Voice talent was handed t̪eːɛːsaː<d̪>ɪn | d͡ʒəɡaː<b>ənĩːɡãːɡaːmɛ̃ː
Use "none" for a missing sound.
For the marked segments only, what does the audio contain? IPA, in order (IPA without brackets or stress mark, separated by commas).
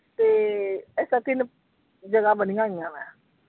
t̪, b